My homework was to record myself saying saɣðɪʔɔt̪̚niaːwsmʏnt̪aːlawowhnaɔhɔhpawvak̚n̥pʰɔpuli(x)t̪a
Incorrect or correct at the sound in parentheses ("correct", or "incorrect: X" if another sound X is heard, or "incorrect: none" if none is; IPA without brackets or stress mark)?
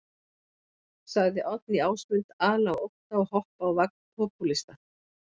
incorrect: s